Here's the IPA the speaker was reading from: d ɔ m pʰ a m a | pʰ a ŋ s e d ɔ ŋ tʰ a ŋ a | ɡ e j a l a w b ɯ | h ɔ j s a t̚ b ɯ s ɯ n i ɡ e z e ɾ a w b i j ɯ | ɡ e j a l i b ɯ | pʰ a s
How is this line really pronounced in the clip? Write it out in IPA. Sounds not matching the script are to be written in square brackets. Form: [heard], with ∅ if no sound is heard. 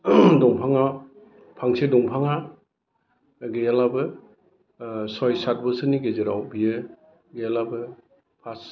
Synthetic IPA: d ɔ [ŋ] pʰ a [ŋ] a | pʰ a ŋ s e d ɔ ŋ [pʰ] a ŋ a | ɡ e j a l a [∅] b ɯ | [s] ɔ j s a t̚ b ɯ s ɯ n i ɡ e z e ɾ a w b i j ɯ | ɡ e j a l [a] b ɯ | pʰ a s